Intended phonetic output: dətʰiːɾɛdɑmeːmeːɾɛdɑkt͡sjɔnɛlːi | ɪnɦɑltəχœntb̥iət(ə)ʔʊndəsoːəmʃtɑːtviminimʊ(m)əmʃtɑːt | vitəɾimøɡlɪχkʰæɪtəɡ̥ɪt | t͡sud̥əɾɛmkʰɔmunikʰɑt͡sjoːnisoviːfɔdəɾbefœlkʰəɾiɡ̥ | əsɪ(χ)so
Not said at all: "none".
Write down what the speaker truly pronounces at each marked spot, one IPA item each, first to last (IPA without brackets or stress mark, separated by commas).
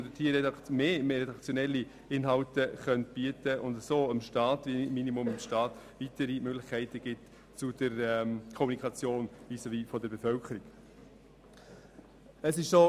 ə, m, ʃ